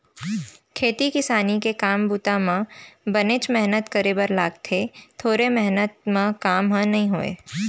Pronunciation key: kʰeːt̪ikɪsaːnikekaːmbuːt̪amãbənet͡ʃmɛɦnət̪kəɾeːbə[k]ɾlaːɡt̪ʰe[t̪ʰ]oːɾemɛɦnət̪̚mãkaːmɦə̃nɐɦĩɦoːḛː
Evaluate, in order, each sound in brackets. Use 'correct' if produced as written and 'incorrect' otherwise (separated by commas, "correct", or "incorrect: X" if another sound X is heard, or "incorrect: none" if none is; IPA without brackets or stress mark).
incorrect: none, correct